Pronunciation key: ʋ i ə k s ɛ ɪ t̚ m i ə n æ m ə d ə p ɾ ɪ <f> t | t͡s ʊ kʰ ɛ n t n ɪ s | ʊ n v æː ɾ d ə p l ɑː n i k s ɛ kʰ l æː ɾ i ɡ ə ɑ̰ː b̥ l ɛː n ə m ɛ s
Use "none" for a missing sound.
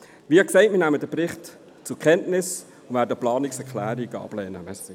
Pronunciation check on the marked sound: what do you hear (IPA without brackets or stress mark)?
χ